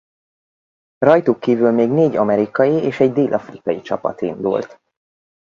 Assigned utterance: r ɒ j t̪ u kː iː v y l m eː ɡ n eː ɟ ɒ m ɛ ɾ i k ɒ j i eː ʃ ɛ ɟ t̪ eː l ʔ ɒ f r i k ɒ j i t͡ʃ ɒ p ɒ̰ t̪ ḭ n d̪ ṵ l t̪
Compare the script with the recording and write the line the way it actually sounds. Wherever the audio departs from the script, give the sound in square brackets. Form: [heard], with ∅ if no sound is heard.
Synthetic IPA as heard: r ɒ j t̪ u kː iː v y l m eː ɡ n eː ɟ ɒ m ɛ ɾ i k ɒ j i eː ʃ ɛ ɟ [d̪] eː l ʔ ɒ f r i k ɒ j i t͡ʃ ɒ p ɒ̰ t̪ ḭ n d̪ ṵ l t̪